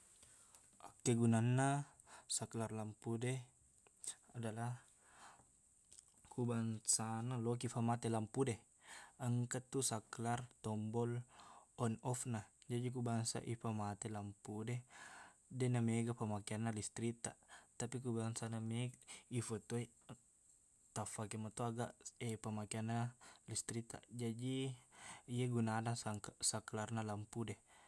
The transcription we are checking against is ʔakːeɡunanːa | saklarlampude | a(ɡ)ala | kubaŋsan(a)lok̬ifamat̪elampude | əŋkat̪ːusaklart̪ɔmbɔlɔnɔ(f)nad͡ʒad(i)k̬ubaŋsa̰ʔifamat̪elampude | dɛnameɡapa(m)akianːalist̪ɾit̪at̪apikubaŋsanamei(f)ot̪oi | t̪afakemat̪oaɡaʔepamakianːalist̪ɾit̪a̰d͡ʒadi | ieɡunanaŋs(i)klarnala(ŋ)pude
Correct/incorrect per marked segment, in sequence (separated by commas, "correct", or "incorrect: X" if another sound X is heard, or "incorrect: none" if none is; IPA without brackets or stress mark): incorrect: d, correct, correct, correct, correct, correct, incorrect: a, incorrect: m